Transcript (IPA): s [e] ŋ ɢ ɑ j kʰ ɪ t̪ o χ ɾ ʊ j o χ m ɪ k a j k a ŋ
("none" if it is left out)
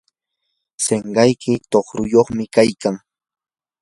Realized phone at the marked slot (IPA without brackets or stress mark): e